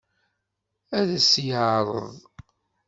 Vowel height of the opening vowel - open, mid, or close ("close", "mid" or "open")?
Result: open